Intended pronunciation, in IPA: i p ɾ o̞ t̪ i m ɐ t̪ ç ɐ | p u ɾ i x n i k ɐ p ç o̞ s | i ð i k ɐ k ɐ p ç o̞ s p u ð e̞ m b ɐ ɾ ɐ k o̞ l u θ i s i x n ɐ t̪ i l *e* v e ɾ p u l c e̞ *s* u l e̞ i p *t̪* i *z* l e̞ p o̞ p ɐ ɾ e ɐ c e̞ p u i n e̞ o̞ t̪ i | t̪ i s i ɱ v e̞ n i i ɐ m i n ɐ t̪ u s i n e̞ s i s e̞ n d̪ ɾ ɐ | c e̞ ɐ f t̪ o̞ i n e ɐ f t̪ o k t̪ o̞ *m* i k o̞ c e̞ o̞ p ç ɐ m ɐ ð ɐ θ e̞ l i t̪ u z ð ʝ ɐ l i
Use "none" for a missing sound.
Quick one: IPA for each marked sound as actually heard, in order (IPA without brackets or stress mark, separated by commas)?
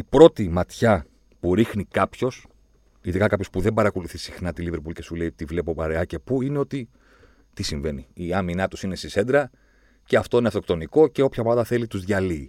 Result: i, s, t̪, v, n